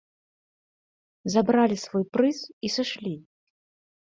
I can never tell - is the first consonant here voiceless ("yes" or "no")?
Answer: no